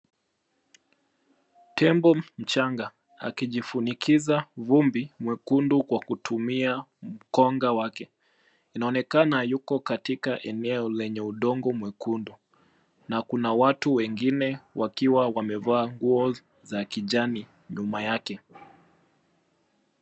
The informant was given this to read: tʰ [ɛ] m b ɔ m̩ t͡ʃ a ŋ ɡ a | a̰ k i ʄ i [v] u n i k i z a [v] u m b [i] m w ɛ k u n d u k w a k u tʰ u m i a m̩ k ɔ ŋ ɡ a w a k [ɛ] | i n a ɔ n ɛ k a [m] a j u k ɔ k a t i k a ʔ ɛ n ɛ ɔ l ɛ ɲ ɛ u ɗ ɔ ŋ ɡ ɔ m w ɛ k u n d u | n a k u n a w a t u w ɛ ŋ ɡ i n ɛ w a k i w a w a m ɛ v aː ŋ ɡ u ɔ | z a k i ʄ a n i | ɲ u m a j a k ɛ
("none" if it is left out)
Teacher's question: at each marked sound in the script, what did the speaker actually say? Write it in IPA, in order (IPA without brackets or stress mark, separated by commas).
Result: ɛ, f, v, i, ɛ, n